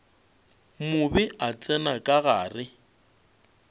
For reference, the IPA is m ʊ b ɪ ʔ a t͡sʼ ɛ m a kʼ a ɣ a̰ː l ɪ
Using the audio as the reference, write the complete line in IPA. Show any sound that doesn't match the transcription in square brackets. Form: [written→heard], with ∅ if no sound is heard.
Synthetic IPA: m ʊ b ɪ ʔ a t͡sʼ ɛ [m→n] a kʼ a ɣ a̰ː [l→r] ɪ